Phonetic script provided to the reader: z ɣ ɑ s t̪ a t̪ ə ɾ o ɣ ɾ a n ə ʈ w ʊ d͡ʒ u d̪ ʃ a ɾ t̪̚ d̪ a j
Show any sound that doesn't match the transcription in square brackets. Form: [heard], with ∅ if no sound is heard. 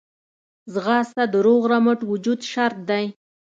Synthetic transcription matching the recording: z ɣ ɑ s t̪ a [d̪] ə ɾ o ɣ ɾ a [m] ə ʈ w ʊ d͡ʒ u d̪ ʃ a ɾ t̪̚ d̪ a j